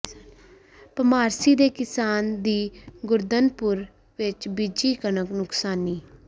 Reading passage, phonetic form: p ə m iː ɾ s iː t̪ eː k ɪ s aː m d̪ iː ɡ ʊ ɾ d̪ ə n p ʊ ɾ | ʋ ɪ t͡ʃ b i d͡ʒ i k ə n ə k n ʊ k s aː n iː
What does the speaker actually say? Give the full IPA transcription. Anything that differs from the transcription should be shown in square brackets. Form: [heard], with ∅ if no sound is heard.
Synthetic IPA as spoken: p ə m [aː] ɾ s iː [d̪] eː k ɪ s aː [n] d̪ iː ɡ ʊ ɾ d̪ ə n p ʊ ɾ | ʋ ɪ t͡ʃ b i d͡ʒ [iː] k ə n ə k n ʊ k s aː n iː